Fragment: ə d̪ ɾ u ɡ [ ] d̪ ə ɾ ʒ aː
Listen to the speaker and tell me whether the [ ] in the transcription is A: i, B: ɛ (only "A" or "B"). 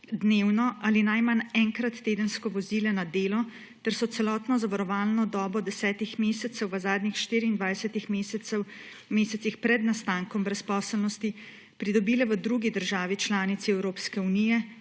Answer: A